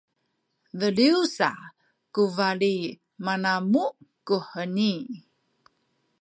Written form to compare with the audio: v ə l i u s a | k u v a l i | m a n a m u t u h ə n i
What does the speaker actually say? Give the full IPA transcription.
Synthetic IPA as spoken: v ə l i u s a | k u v a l i | m a n a m u k u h ə n i